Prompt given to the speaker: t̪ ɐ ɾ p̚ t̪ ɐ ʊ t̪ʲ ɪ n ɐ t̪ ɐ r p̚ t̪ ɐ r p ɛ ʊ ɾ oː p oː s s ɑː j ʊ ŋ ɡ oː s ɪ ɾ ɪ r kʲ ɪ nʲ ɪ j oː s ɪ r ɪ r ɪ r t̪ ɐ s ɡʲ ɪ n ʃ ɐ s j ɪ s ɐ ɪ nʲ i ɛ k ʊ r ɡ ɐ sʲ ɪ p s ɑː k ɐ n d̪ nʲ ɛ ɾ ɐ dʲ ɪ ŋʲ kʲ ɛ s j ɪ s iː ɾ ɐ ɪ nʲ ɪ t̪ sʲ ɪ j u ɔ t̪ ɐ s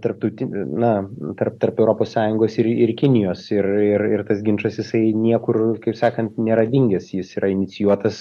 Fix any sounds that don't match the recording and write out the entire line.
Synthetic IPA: t̪ ɐ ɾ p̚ t̪ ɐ ʊ t̪ʲ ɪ n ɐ t̪ ɐ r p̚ t̪ ɐ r p ɛ ʊ ɾ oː p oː s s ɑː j ʊ ŋ ɡ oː s ɪ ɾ ɪ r kʲ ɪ nʲ ɪ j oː s ɪ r ɪ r ɪ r t̪ ɐ s ɡʲ ɪ n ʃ ɐ s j ɪ s ɐ ɪ nʲ i ɛ k ʊ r k ɐ ɪ p s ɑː k ɐ n t̪ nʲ ɛ ɾ ɐ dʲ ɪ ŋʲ ɡʲ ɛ s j ɪ s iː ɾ ɐ ɪ nʲ ɪ t̪ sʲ ɪ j u ɔ t̪ ɐ s